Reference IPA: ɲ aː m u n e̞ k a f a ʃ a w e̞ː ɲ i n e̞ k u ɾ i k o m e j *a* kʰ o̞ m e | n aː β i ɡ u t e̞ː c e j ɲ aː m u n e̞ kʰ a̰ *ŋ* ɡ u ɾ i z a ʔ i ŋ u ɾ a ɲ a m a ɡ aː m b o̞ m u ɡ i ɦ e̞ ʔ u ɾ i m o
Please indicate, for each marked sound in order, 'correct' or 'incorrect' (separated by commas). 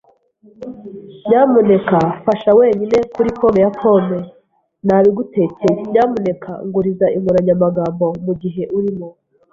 correct, correct